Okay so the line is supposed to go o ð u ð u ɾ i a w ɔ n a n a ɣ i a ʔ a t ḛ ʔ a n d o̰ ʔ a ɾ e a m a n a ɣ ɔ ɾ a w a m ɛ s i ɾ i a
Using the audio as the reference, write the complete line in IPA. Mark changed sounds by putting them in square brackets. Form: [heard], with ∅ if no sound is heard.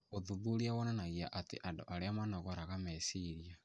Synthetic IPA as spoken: o ð u ð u ɾ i a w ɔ n a n a ɣ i a ʔ a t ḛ ʔ a n d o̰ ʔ a ɾ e a m a n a ɣ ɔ ɾ a [ɣ] a m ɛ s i ɾ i a